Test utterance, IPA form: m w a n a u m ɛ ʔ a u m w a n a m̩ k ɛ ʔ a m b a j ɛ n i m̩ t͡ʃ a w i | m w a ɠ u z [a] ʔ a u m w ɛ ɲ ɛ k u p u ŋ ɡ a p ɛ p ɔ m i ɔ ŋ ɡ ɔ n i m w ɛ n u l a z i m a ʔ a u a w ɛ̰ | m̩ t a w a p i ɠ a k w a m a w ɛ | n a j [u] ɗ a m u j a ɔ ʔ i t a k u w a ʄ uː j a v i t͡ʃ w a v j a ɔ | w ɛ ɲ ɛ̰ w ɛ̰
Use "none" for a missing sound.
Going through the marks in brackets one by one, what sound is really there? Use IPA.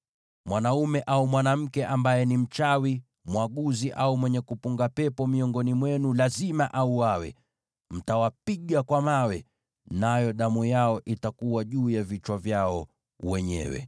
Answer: i, ɔ

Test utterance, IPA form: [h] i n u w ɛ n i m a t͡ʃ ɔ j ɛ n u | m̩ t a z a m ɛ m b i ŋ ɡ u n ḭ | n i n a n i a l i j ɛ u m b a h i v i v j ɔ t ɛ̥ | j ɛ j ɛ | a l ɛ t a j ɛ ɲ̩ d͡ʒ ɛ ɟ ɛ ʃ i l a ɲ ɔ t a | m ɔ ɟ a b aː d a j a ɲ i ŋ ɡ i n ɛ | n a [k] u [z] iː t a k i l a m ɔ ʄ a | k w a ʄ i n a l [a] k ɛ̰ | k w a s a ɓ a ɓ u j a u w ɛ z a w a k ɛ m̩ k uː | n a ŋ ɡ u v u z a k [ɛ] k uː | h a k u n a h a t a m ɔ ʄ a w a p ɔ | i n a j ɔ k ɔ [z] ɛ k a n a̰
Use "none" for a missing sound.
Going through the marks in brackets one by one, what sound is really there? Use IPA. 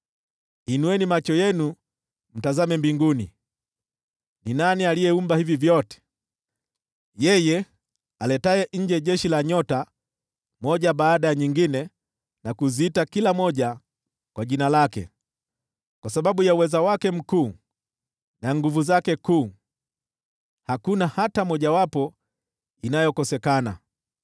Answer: h, k, z, a, ɛ, s

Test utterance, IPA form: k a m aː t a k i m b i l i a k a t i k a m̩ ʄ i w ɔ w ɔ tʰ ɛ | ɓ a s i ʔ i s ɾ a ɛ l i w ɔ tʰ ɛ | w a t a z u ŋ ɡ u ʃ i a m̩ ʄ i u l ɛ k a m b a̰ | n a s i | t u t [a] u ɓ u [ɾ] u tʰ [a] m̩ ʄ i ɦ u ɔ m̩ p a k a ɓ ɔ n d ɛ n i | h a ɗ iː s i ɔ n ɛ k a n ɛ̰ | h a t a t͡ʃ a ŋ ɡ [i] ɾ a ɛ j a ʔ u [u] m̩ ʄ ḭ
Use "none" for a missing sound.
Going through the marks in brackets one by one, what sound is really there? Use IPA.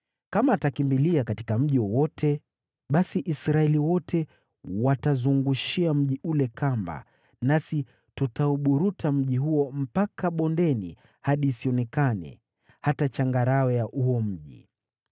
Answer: a, ɾ, a, a, ɔ

